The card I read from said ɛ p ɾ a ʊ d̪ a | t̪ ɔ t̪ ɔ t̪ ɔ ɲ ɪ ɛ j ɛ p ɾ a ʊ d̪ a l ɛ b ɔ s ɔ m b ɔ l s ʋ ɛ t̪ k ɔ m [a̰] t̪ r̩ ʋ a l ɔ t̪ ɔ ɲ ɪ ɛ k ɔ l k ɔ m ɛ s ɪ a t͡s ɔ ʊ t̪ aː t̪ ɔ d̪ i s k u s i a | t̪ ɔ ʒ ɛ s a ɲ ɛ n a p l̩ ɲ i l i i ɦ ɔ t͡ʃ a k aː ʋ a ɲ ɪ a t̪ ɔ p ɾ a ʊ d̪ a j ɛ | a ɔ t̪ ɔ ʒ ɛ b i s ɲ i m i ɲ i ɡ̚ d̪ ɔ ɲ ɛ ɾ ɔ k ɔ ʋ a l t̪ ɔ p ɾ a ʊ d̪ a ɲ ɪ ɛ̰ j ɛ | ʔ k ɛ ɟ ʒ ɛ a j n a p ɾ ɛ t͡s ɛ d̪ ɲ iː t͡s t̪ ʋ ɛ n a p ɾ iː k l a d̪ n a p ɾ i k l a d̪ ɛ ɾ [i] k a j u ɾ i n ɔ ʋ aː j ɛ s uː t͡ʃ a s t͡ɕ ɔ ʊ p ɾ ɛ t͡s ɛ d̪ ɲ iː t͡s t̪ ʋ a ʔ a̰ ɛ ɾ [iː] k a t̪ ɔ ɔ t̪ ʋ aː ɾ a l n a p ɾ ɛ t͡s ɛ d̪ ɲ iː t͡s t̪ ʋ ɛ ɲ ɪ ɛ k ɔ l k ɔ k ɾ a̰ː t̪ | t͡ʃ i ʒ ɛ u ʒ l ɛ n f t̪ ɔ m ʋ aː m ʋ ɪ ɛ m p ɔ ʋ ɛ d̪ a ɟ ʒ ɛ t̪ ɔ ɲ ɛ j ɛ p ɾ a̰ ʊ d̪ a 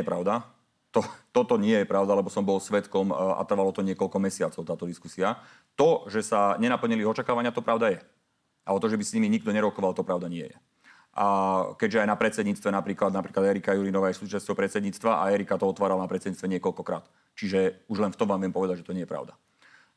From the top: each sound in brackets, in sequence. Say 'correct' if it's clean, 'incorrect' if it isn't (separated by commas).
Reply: correct, correct, incorrect